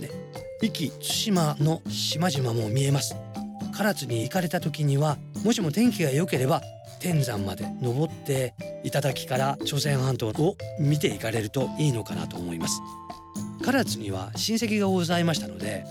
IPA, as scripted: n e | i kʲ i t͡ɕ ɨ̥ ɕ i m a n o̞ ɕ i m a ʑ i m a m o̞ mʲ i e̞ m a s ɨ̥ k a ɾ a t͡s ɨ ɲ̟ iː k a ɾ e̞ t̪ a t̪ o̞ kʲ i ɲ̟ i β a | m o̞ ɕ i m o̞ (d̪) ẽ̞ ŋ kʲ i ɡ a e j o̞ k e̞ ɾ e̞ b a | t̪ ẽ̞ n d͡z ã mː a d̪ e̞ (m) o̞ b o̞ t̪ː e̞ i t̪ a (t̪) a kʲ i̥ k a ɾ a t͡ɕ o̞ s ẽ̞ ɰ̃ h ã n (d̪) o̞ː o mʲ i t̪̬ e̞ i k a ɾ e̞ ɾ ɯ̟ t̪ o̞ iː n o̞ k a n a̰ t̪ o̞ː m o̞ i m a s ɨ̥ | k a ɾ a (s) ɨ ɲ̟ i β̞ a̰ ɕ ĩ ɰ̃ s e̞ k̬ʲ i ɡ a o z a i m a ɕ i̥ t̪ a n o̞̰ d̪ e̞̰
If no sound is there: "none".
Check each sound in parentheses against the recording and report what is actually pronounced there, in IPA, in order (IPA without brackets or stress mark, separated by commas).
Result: t̪, n, d̪, t̪, t͡s